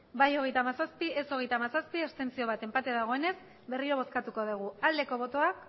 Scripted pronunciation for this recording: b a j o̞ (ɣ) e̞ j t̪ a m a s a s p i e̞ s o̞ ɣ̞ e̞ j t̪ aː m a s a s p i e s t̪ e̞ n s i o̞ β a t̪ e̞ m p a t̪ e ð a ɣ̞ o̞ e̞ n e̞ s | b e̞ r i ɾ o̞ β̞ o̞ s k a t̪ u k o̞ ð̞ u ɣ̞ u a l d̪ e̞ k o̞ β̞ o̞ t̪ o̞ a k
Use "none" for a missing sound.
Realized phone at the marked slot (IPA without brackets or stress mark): ɣ